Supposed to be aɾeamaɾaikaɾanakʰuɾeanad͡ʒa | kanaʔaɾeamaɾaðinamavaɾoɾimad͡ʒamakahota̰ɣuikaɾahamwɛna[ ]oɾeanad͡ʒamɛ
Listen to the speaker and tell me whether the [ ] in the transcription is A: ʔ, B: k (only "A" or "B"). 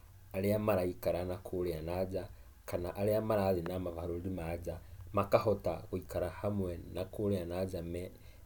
B